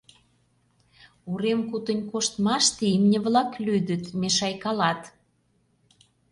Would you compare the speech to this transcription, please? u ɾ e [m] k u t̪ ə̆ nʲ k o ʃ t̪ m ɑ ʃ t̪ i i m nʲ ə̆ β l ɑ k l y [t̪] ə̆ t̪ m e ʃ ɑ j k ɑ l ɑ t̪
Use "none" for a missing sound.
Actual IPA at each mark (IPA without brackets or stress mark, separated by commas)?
m, d̪